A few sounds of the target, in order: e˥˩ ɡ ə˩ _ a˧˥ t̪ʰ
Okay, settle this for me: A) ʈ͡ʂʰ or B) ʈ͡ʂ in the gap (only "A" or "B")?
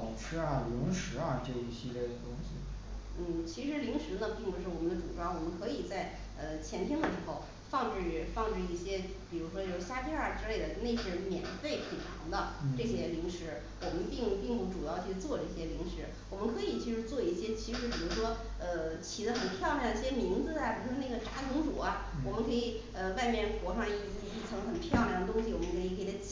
B